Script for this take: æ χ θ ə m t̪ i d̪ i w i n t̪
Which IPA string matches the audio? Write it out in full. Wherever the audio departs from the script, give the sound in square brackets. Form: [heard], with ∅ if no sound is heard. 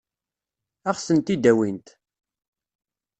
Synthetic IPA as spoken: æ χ [s] ə [n] t̪ i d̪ [æ] w i n t̪